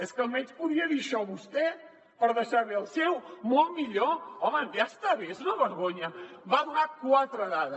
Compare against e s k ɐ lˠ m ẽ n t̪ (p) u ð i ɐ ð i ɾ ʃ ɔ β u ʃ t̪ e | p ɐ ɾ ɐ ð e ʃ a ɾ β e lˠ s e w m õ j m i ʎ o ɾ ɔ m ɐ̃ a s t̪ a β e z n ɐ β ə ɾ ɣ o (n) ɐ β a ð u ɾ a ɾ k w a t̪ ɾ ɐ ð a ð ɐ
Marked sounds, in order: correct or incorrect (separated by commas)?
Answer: correct, incorrect